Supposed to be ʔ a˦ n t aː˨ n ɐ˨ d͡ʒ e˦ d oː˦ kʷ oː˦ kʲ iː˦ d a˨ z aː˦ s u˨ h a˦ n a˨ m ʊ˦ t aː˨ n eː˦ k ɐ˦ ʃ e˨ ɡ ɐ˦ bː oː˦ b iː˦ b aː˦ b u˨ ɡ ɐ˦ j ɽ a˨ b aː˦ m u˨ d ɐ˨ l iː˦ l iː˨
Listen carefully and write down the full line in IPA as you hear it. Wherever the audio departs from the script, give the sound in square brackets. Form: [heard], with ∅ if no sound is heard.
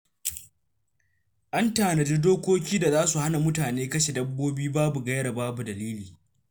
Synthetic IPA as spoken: ʔ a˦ n t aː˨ n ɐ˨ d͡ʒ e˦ d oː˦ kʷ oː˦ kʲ iː˦ d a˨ z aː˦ s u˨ h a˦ n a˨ m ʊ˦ t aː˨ n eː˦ k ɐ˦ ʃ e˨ [d] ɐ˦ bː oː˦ b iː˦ b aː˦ b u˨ ɡ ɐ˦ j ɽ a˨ b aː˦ [b] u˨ d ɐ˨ l iː˦ l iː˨